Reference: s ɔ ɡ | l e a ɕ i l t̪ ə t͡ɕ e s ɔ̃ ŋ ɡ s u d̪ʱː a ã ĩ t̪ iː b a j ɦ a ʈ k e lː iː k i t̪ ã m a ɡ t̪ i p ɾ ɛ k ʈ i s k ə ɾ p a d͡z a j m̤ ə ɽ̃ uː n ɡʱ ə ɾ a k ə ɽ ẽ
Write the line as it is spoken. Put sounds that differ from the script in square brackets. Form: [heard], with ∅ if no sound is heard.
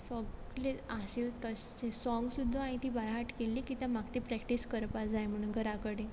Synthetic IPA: s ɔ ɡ | l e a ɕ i l t̪ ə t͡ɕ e s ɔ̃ ŋ ɡ s u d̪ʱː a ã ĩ t̪ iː b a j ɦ a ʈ k e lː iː k i t̪ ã m a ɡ t̪ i p ɾ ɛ k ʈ i s k ə ɾ p a d͡z a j m̤ ə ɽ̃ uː n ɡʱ ə ɾ a k ə ɽ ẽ